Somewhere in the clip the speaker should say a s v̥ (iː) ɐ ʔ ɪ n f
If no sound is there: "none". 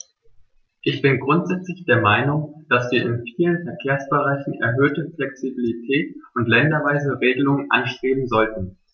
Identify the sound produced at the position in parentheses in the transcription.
iː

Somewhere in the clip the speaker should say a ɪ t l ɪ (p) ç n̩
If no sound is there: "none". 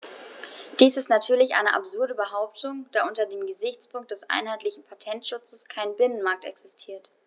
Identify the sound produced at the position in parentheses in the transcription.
none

